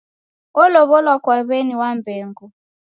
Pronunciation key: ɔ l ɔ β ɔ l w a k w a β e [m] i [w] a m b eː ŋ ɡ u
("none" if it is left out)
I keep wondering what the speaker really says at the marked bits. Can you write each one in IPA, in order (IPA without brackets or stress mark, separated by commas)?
n, w